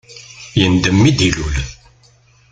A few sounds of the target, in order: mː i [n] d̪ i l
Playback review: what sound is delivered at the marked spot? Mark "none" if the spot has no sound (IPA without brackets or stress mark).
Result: none